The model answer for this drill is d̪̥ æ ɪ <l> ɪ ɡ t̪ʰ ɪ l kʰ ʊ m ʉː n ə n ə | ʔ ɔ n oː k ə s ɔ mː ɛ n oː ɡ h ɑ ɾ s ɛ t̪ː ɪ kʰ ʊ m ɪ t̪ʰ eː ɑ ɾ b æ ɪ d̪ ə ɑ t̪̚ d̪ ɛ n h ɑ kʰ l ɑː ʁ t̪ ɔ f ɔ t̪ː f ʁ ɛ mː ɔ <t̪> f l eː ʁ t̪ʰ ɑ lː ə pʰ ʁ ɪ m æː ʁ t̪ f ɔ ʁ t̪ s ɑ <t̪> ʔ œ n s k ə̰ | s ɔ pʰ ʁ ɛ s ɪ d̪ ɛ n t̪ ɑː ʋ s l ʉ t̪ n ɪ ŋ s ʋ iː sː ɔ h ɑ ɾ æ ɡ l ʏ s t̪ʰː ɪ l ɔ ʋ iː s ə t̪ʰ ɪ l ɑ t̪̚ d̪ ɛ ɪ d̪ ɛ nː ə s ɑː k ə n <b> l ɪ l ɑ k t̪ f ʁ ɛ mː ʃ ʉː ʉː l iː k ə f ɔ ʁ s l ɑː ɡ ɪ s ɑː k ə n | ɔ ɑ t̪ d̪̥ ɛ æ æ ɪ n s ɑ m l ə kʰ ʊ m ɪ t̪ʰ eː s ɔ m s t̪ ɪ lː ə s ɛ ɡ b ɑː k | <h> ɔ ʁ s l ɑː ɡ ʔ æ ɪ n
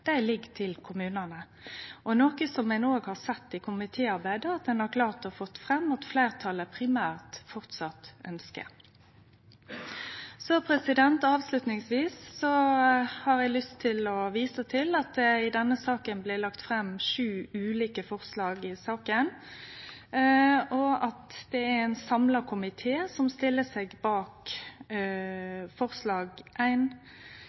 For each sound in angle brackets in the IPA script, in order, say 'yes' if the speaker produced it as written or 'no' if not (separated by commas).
yes, yes, yes, yes, no